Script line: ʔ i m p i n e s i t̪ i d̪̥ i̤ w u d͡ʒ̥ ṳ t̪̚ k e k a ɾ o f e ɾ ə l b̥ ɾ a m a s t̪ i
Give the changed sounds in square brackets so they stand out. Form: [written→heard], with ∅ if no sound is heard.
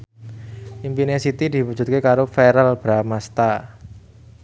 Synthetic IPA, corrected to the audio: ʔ i m p i n e s i t̪ i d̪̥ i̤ w u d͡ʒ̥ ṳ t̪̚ k e k a ɾ o f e ɾ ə l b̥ ɾ a m a s t̪ [i→a]